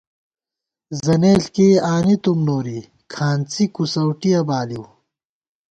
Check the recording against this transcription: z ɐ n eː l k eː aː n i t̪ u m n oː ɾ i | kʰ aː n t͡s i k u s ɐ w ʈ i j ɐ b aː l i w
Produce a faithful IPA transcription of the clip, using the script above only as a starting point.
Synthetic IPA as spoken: z ɐ n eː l k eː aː n i t̪ u m n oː ɾ i | kʰ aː n t͡s i k u s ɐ w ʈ i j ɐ b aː l i w